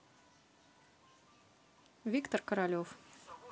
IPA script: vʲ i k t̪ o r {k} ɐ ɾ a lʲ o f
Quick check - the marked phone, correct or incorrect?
correct